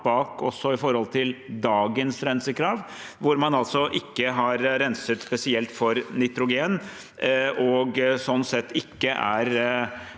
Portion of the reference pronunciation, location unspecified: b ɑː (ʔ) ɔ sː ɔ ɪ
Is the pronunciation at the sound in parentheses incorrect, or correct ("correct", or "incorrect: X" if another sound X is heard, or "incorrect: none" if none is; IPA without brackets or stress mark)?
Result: incorrect: k